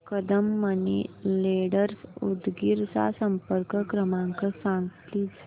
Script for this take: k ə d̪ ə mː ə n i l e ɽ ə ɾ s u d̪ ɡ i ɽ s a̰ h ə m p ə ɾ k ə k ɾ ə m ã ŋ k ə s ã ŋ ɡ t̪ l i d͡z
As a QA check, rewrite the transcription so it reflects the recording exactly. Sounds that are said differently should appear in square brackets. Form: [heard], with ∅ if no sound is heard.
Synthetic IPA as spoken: k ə d̪ ə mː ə n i l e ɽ ə ɾ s u d̪ ɡ i [ɾ] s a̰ [s] ə m p ə ɾ k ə k ɾ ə m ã ŋ k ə s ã ŋ ɡ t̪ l i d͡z